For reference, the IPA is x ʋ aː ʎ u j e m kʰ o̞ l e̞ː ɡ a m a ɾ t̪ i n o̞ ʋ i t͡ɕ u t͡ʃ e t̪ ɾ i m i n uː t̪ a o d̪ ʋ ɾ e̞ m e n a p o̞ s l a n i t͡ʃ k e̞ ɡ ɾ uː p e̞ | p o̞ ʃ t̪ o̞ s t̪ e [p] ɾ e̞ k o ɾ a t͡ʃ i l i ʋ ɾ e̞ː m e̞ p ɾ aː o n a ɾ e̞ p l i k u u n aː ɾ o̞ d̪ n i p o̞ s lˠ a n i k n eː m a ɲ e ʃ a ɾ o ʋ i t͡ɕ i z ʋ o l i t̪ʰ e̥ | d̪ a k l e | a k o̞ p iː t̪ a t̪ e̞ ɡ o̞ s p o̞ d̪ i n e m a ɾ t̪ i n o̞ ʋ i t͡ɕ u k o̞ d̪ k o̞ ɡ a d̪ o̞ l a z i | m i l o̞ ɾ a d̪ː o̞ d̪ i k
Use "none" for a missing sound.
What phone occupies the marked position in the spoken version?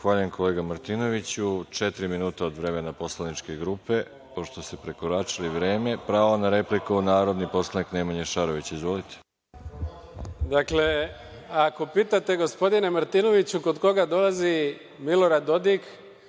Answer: p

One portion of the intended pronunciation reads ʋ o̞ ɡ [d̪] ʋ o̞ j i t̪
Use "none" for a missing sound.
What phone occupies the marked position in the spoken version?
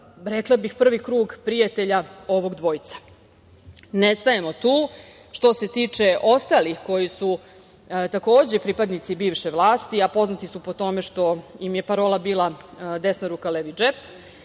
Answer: d̪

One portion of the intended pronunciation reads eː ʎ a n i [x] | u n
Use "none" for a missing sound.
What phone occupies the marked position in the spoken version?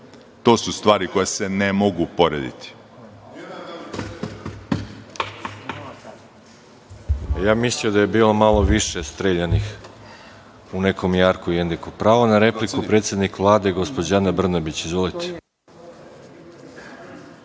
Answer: x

